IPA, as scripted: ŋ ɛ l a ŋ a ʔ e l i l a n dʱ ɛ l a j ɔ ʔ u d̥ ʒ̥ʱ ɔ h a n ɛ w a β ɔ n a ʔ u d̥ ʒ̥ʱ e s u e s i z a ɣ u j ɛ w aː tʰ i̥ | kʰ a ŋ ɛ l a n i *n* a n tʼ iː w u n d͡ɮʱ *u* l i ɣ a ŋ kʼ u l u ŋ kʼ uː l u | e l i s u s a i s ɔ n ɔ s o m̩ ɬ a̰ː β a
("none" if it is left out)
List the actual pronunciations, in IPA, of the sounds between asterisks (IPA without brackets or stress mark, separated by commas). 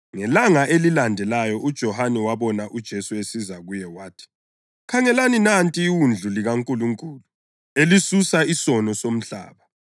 n, u